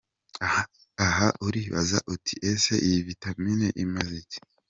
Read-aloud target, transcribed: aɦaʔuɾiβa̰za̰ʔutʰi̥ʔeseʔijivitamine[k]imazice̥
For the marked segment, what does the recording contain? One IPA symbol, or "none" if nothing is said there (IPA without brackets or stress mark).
ʔ